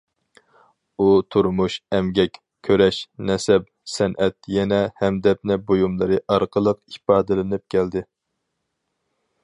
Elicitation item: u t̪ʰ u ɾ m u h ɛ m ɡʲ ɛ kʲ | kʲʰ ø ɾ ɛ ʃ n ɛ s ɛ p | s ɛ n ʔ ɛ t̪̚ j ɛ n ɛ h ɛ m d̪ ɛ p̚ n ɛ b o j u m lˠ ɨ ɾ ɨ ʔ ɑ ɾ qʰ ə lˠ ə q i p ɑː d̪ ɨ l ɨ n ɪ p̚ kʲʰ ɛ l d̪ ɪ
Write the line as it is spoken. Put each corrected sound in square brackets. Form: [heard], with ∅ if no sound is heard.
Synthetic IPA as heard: u t̪ʰ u ɾ m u [ʃ] ɛ m ɡʲ ɛ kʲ | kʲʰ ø ɾ ɛ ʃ n ɛ s ɛ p | s ɛ n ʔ ɛ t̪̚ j ɛ n ɛ h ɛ m d̪ ɛ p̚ n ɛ b o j u m lˠ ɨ ɾ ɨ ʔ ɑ ɾ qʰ ə lˠ ə q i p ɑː d̪ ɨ l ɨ n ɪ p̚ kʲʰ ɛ l d̪ ɪ